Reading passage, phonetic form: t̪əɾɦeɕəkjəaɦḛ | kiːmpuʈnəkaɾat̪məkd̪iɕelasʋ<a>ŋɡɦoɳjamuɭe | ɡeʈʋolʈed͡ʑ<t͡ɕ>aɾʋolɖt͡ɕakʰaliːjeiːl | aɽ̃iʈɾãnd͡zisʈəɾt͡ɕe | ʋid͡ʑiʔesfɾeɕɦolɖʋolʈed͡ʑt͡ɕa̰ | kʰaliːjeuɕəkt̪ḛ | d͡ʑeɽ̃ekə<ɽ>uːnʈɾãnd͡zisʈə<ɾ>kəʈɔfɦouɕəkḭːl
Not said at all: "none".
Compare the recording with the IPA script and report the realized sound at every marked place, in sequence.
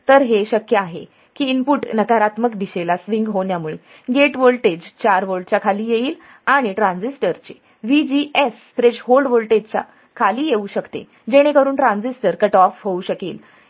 i, t͡ɕ, ɾ, ɾ

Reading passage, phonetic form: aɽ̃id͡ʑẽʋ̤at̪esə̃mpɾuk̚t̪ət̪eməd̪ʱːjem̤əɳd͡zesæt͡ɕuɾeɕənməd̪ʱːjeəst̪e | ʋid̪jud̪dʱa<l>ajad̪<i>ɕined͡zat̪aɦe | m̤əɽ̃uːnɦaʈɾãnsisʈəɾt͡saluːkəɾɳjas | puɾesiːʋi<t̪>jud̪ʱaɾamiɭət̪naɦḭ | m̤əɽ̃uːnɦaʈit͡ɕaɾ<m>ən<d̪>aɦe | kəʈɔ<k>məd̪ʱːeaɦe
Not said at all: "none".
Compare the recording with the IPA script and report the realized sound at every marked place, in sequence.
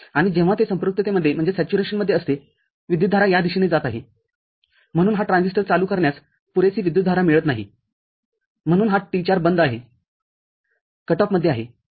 ɾ, i, d̪, b, d̪, p

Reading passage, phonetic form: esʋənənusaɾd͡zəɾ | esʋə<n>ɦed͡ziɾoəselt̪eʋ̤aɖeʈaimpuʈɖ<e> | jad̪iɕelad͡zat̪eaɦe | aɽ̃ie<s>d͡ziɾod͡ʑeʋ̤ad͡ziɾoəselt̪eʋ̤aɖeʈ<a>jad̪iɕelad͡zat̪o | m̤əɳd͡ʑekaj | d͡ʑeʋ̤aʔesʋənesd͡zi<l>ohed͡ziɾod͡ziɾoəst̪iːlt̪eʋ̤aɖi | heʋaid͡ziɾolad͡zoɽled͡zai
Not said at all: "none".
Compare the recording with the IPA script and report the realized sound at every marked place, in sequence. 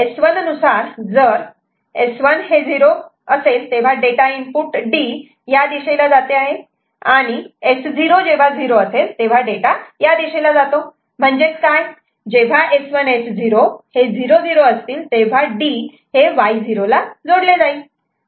n, i, s, a, ɾ

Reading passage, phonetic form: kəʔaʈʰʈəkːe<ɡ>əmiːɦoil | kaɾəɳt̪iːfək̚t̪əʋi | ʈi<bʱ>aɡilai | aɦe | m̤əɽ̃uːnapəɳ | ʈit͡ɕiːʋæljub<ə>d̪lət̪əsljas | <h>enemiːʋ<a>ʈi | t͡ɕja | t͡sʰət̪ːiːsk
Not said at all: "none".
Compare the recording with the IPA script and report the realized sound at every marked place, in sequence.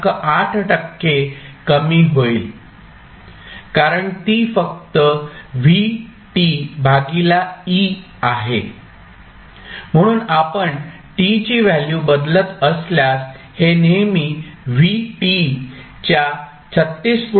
k, bʱ, ə, h, i

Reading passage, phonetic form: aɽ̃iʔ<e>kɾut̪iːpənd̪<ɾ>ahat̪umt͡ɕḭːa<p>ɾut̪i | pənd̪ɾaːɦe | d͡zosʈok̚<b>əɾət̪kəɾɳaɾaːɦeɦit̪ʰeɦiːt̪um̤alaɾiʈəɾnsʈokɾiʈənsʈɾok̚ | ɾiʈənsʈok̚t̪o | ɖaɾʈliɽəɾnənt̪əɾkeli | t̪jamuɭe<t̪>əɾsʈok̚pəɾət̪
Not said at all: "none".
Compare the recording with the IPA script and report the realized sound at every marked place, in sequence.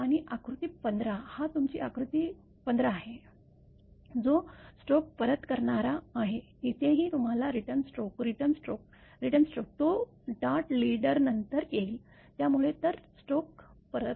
a, ɾ, k, p, t̪

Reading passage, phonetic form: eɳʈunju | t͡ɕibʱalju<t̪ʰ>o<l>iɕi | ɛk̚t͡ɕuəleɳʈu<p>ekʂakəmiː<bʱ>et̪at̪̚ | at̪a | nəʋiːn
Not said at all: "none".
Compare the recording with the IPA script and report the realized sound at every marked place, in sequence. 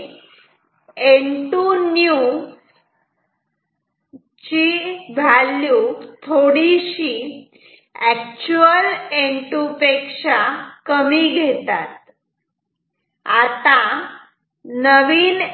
t̪ʰ, ɽ, p, ɡʱ

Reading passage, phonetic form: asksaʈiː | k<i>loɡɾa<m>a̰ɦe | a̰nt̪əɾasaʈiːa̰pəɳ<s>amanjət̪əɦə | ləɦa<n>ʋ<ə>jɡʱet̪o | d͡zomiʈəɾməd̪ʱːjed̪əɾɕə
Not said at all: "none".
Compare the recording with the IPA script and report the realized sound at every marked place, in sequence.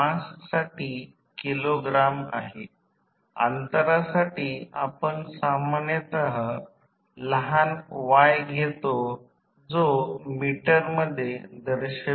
i, m, s, n, a

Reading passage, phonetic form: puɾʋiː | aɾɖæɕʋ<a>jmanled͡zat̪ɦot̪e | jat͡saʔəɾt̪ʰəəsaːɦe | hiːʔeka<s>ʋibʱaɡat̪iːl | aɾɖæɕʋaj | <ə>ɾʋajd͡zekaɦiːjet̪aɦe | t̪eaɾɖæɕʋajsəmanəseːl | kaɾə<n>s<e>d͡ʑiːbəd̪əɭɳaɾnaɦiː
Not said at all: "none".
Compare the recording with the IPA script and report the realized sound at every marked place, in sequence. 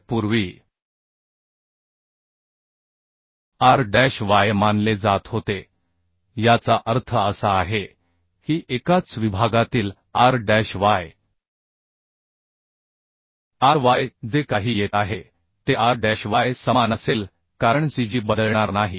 a, t͡s, a, ɳ, i

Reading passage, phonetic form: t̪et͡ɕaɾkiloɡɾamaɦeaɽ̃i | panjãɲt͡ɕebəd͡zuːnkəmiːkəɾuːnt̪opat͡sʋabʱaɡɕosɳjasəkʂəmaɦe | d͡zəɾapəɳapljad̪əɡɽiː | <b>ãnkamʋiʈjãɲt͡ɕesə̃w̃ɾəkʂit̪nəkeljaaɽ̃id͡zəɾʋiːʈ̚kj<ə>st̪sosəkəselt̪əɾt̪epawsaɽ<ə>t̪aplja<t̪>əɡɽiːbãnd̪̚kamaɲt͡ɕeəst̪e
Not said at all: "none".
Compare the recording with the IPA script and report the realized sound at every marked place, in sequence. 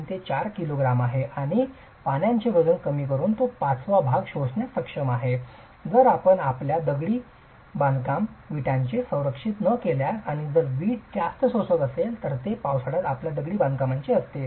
b, a, a, d̪

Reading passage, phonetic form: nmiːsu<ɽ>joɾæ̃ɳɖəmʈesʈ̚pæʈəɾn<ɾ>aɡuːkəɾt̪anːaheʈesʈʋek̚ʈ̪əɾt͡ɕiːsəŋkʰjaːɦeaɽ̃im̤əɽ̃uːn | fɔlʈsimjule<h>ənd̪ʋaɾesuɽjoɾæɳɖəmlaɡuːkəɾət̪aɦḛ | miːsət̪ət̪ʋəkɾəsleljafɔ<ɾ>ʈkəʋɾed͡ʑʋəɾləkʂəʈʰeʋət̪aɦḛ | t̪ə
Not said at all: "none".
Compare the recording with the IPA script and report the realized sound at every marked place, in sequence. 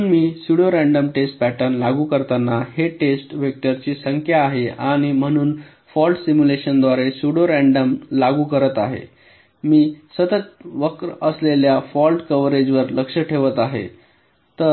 ɽ, l, ɕ, l

